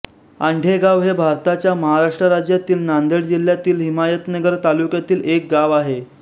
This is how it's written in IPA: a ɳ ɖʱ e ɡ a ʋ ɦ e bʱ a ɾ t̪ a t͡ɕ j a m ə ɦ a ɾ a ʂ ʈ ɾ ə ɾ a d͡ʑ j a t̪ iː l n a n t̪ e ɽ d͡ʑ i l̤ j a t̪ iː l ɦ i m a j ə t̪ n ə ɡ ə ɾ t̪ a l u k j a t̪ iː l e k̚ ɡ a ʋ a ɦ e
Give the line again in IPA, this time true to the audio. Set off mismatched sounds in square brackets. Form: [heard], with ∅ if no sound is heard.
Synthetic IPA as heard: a ɳ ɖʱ e ɡ a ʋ ɦ e bʱ a ɾ t̪ a t͡ɕ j a m ə ɦ a ɾ a ʂ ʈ ɾ ə ɾ a d͡ʑ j a t̪ iː l n a n [d̪] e ɽ d͡ʑ i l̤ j a t̪ iː l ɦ i m a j ə t̪ n ə ɡ ə ɾ t̪ a l u k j a t̪ iː l e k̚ ɡ a ʋ a ɦ e